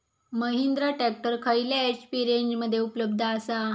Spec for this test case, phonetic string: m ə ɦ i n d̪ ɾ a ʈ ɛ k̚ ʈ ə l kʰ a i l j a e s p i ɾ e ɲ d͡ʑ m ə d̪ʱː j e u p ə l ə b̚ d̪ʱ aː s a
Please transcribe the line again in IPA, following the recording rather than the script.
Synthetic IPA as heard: m ə ɦ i n d̪ ɾ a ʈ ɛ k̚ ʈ ə ɾ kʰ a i l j a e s p i ɾ e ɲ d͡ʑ m ə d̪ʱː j e u p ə l ə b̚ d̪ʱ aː s a